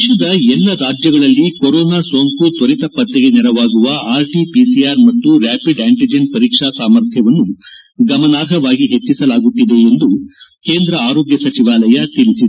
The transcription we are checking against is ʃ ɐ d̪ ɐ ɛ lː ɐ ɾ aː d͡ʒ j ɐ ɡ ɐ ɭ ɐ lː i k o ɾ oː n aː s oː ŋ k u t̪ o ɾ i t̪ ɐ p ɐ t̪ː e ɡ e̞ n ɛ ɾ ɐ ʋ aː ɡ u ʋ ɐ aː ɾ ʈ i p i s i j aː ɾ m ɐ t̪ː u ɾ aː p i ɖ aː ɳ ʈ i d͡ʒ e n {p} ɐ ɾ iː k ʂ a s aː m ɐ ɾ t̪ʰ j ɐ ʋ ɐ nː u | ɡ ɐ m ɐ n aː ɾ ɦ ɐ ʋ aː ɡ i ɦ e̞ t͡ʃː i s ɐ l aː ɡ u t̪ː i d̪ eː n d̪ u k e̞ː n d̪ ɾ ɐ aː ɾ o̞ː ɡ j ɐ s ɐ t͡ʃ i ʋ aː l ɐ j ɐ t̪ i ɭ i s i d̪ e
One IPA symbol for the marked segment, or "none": p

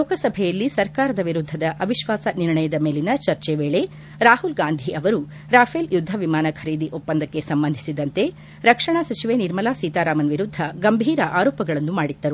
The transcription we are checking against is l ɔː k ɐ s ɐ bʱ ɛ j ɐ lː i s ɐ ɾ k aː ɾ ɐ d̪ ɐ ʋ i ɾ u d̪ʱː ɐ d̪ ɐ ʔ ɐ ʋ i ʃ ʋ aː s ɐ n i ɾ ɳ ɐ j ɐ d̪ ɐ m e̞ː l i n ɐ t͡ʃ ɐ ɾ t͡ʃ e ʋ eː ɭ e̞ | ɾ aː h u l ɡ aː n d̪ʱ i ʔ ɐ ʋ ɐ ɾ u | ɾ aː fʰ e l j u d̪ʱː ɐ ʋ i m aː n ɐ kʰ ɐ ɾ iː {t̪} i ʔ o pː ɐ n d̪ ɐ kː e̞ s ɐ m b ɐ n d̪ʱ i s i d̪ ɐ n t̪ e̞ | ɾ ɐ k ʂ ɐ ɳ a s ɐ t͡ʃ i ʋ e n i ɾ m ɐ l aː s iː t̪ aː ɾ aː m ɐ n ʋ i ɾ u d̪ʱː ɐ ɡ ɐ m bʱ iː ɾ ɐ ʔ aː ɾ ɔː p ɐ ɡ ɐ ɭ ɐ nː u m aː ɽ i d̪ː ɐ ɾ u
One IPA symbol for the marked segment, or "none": d̪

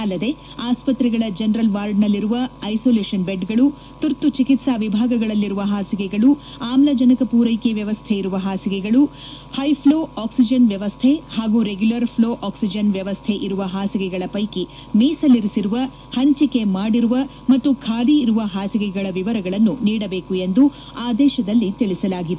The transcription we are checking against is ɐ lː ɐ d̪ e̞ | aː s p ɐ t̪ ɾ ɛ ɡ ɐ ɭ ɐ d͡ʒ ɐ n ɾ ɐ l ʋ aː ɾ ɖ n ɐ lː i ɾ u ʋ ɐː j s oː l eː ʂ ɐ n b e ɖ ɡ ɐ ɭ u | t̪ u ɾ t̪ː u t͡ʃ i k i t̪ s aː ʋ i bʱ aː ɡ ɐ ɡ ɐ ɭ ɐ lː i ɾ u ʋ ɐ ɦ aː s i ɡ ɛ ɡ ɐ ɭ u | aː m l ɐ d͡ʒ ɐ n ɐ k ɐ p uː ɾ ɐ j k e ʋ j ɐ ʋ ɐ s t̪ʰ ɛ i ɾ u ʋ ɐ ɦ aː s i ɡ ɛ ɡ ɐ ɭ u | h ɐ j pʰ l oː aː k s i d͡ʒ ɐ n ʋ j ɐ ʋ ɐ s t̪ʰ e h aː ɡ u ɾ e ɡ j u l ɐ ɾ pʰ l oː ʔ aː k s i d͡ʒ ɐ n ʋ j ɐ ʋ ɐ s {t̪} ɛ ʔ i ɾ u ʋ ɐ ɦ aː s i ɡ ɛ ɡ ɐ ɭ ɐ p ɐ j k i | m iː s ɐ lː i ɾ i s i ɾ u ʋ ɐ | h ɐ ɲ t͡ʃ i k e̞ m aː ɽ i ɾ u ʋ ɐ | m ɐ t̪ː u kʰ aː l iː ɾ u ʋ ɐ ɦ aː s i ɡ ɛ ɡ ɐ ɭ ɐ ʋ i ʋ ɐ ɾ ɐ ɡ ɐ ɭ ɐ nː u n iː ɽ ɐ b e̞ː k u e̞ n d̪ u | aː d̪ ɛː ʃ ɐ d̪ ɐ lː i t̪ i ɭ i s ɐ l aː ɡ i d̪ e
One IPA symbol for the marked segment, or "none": t̪ʰ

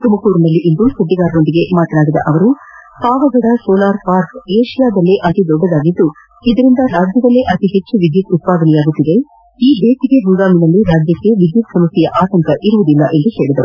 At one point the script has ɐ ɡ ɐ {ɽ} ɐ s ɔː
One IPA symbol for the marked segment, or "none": ɽ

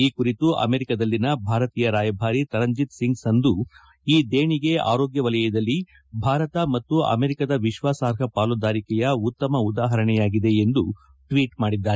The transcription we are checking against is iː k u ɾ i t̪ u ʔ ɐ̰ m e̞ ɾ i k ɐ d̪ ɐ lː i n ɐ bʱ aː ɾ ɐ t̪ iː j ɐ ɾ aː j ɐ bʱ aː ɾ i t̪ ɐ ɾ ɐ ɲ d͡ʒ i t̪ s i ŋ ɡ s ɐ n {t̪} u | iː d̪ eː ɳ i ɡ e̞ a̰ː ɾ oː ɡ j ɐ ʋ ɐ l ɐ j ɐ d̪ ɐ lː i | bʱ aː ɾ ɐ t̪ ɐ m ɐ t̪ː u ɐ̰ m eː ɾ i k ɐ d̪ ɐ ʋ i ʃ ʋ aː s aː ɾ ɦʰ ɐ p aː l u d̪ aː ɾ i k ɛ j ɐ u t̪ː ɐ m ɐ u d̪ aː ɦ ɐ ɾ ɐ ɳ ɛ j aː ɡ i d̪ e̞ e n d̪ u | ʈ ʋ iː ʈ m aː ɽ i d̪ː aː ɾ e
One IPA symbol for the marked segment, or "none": d̪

